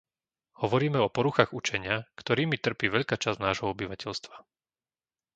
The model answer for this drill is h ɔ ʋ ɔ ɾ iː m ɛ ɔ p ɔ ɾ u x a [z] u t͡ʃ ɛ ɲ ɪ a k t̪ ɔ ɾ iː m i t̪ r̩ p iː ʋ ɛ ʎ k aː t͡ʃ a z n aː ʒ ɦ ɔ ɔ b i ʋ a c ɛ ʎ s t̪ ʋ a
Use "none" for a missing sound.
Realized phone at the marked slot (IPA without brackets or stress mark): ɣ